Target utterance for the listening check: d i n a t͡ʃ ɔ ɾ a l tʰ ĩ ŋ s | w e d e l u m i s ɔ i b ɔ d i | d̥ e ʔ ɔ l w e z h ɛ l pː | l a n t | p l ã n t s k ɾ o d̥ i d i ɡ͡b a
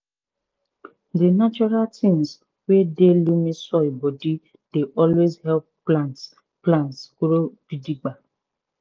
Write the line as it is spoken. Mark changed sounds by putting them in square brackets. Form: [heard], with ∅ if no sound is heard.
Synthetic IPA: d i n a t͡ʃ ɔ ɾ a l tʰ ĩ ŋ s | w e d e l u m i s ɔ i b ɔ d i | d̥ e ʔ ɔ l w e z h ɛ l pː | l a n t | p l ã n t s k ɾ o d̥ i d i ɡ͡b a